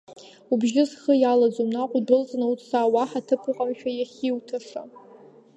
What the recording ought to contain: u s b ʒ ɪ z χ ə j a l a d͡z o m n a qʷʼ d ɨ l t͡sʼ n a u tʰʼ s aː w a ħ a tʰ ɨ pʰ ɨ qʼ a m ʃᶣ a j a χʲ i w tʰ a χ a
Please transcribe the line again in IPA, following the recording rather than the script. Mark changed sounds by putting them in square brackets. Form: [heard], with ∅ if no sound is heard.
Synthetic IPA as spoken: u [∅] b ʒ ɪ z χ ə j a l a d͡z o m n a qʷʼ d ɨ l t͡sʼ n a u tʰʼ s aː w a ħ a tʰ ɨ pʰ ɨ qʼ a m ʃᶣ a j a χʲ i w tʰ a [ʂ] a